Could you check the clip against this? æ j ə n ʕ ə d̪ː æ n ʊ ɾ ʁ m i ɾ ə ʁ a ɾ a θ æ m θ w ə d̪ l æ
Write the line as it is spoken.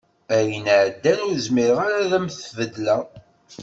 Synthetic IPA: æ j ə n ʕ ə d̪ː æ n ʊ ɾ z m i ɾ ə ʁ a ɾ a ð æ m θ v ə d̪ l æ

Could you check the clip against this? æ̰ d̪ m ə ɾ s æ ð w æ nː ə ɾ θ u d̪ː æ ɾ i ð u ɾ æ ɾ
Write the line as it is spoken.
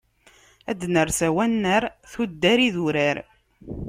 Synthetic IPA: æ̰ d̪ n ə ɾ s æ w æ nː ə ɾ θ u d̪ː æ ɾ i ð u ɾ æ ɾ

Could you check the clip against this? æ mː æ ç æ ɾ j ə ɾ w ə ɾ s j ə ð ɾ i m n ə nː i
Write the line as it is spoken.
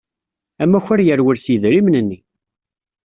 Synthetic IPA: æ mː æ ç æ ɾ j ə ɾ w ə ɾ s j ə ð ɾ i m n ə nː i

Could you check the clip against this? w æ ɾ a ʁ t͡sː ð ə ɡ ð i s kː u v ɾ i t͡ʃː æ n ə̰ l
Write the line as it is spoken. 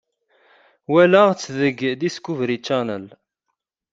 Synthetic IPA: w æ l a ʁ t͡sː ð ə ɡ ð i s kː u v ɾ i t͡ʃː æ n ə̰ l

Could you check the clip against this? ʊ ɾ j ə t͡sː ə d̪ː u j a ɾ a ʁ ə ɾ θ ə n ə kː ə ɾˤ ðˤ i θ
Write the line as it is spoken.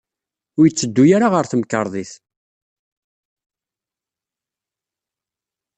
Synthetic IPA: ʊ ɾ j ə t͡sː ə d̪ː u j a ɾ a ʁ ə ɾ θ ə m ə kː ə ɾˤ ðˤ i θ

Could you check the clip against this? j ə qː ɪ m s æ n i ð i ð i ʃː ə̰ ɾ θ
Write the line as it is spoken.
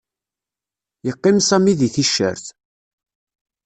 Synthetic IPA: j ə qː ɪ m s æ m i ð i θ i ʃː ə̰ ɾ θ

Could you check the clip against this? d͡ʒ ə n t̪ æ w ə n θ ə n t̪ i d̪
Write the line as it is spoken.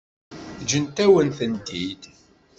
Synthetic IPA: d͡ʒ ə n t̪ æ w ə n θ ə n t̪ i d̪

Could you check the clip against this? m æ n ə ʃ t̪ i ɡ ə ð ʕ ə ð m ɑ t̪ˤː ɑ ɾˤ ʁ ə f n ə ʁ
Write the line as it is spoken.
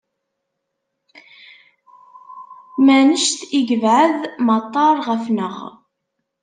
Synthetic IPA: m æ n ə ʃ t̪ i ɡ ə v ʕ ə ð m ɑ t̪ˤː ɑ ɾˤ ʁ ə f n ə ʁ

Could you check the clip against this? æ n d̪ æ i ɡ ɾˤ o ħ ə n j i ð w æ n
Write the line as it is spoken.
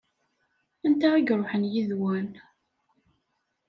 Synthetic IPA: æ n t̪ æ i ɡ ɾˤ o ħ ə n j i ð w æ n

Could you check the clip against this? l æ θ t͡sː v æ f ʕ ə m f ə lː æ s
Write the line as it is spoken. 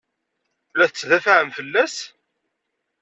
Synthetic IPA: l æ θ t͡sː ð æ f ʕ ə m f ə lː æ s

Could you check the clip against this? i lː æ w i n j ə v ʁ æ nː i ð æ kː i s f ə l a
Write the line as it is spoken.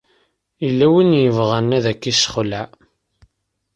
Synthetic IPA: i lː æ w i n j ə v ʁ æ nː æ ð æ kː i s χ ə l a

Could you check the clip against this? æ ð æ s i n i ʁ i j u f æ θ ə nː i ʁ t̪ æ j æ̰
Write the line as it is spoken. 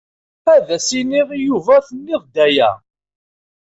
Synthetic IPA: æ ð æ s i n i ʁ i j u v æ θ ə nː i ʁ d̪ æ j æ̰

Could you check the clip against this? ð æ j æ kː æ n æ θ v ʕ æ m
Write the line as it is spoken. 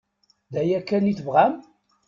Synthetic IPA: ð æ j æ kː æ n i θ v ʁ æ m

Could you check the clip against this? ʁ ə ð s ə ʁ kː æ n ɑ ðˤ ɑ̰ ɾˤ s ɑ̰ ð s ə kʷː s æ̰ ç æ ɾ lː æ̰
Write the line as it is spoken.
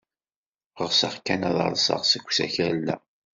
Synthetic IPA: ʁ ə ʁ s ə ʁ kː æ n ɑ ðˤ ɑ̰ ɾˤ s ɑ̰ ʁ s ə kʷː s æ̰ ç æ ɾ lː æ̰

